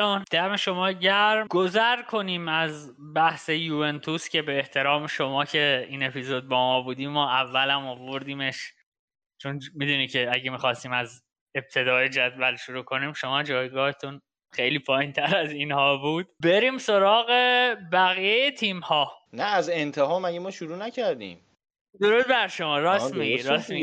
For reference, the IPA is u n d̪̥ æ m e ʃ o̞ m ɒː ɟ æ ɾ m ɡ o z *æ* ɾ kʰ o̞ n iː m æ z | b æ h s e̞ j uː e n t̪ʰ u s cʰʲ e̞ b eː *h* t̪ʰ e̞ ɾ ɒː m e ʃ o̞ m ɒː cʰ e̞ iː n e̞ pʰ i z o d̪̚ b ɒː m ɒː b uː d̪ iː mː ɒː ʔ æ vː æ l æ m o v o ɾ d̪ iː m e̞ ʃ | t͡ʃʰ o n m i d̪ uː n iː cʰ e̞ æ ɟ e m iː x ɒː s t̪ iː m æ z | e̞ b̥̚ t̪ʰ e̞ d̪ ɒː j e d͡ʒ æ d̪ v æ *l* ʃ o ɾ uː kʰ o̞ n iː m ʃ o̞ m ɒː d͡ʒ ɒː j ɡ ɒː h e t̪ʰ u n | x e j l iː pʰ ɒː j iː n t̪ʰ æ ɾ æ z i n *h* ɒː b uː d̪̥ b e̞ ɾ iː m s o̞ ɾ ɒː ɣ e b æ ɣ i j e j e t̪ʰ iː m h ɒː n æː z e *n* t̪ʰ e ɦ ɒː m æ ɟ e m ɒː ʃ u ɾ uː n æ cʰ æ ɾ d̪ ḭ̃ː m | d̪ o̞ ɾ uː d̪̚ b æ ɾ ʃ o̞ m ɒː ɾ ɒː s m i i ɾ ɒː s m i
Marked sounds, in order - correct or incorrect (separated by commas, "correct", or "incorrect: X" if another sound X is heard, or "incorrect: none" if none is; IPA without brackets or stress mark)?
correct, correct, correct, correct, correct